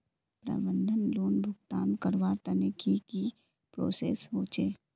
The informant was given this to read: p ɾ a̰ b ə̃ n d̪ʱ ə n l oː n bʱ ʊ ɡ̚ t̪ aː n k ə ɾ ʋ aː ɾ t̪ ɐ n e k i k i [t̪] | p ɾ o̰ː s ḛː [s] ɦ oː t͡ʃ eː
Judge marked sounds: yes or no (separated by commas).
no, yes